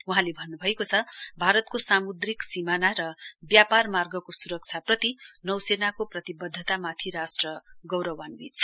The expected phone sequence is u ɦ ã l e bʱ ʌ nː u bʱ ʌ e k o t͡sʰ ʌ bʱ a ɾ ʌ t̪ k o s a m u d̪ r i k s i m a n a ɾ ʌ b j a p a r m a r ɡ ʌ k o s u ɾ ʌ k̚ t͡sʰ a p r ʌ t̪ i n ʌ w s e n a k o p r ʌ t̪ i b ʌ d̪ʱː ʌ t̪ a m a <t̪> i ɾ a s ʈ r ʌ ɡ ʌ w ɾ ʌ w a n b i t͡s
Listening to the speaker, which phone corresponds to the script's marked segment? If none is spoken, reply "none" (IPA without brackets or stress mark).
t̪ʰ